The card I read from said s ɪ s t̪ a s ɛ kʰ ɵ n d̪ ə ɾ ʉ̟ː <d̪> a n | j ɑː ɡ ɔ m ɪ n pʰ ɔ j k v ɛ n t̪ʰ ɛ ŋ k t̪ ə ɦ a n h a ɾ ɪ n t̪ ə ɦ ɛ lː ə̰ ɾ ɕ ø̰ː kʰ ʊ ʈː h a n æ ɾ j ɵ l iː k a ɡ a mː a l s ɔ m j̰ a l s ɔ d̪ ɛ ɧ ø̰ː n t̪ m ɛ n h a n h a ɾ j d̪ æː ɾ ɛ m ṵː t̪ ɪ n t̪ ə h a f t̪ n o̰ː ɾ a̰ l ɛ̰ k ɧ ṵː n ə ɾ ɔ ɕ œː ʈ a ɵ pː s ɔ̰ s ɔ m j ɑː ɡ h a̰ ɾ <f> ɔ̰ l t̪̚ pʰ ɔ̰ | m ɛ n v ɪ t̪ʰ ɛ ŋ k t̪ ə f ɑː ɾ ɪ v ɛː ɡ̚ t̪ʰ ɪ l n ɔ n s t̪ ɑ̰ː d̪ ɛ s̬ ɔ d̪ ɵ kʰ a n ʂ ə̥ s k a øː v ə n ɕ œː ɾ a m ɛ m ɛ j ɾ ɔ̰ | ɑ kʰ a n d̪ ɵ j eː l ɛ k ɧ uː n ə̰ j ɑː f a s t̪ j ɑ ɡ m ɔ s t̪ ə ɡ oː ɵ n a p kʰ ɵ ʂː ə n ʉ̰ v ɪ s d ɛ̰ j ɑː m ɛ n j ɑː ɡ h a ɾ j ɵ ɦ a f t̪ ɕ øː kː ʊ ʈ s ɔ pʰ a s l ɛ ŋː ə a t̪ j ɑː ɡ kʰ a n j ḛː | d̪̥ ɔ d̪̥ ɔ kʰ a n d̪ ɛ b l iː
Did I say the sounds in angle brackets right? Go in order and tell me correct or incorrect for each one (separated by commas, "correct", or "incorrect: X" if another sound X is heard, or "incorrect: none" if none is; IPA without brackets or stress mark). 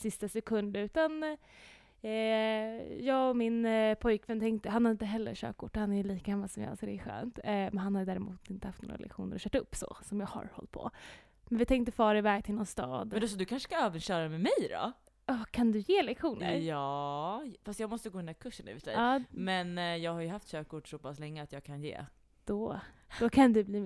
incorrect: t̪, incorrect: h